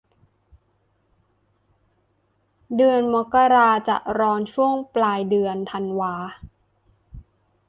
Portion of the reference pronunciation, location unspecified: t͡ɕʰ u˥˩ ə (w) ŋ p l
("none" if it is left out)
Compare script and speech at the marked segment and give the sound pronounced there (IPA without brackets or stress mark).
none